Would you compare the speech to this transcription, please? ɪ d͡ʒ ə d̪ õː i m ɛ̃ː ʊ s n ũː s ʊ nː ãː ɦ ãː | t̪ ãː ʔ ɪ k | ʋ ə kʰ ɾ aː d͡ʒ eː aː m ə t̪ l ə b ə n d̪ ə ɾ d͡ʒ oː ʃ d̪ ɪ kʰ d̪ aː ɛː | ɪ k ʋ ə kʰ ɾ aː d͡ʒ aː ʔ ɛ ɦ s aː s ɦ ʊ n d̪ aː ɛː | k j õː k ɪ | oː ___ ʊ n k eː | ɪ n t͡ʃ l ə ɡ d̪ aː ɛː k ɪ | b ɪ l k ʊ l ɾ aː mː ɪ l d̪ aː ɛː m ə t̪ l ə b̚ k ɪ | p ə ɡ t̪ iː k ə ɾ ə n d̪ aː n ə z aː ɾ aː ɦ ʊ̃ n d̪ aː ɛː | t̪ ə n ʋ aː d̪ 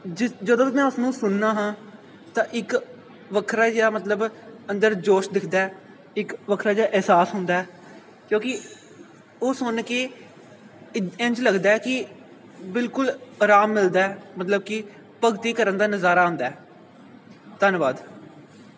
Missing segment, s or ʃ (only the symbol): s